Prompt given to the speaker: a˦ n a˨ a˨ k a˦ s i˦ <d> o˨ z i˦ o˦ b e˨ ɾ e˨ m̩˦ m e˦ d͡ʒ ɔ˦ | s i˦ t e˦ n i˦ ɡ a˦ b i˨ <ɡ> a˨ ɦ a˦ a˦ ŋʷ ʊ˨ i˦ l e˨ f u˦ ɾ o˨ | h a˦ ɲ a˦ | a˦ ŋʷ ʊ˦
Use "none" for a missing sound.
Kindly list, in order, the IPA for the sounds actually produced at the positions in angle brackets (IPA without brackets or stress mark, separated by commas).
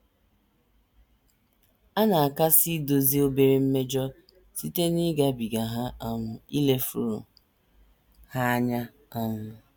d, ɡ